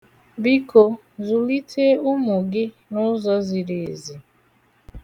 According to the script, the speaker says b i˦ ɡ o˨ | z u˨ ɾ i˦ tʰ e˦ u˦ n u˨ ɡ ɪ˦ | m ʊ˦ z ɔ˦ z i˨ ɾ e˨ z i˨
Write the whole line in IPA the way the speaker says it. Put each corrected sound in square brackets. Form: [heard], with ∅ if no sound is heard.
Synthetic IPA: b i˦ [k] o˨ | z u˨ [l] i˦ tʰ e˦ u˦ [m] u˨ ɡ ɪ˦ | [n] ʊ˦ z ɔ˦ z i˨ ɾ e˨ z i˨